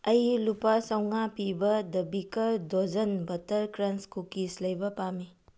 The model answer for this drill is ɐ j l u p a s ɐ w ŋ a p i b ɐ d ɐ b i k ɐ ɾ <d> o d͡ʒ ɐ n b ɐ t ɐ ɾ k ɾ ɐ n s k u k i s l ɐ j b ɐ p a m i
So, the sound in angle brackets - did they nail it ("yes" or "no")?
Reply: yes